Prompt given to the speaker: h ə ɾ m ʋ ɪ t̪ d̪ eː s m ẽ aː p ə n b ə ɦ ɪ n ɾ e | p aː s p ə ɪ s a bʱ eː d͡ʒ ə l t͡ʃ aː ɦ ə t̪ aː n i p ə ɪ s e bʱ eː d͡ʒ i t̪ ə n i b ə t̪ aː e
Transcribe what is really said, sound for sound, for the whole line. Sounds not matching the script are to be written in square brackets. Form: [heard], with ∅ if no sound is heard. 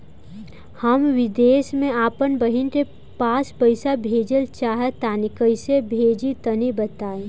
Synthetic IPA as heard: h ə [∅] m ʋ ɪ [∅] d̪ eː s m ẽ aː p ə n b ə ɦ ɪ n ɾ e | p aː s p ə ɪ s a bʱ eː d͡ʒ ə l t͡ʃ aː ɦ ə t̪ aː n i [k] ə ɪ s e bʱ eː d͡ʒ i t̪ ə n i b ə t̪ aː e